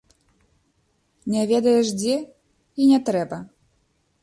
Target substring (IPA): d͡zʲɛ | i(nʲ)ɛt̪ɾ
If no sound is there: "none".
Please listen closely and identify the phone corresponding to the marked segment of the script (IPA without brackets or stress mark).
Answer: nʲ